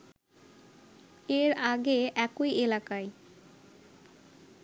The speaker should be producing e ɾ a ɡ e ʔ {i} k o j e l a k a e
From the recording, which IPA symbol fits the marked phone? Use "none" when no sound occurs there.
ɛ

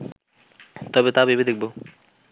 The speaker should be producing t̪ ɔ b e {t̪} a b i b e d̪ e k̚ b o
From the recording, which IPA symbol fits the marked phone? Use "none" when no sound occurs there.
t̪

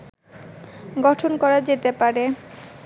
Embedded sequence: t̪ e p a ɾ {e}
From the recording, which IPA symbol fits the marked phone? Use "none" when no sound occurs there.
e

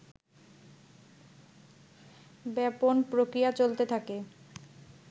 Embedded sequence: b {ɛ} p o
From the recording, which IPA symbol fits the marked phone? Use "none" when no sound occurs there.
ɛ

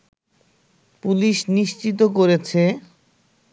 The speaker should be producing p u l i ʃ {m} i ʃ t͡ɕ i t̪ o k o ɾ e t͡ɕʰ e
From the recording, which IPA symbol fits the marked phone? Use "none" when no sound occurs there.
n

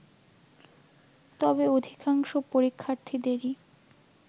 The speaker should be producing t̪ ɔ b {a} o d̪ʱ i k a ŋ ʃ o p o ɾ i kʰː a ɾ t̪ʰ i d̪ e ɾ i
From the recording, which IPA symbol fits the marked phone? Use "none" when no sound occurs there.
e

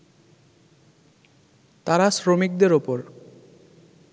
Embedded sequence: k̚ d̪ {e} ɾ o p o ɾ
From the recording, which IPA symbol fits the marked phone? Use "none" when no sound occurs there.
e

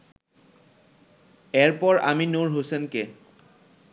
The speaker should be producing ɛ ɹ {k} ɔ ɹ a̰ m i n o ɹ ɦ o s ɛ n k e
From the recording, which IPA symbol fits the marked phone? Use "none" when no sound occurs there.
p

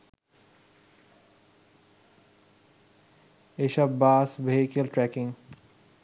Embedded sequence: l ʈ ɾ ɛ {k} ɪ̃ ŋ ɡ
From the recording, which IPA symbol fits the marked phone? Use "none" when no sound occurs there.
k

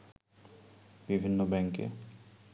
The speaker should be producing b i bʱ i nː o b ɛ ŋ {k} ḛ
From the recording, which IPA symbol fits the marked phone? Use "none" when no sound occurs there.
k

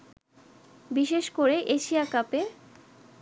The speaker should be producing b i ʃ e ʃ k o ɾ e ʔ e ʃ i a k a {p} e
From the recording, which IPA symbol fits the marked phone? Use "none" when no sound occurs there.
p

